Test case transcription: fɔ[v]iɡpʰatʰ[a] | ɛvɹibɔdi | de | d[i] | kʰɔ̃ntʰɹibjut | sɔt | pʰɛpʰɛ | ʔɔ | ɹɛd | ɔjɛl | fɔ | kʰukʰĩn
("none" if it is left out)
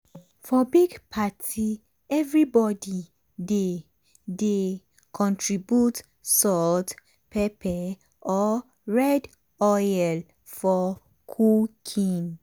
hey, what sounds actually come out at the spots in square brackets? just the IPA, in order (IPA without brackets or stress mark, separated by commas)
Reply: b, i, e